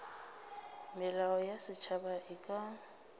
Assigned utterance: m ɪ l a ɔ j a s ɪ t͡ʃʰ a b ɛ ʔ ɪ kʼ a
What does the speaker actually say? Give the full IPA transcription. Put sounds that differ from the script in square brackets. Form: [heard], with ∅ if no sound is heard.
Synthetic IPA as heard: m ɪ l a ɔ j a s ɪ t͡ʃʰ a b [a] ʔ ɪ kʼ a